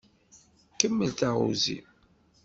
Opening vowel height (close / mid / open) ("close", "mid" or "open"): mid